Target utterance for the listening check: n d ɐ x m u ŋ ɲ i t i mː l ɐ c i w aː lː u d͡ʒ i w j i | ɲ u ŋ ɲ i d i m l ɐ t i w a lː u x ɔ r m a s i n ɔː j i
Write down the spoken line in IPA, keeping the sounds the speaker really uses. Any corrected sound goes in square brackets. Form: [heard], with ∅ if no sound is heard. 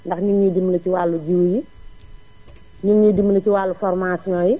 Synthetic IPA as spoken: n d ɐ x [ɲ] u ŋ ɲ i [d] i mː l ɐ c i w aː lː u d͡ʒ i w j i | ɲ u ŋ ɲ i d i m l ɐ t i w a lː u [f] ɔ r m a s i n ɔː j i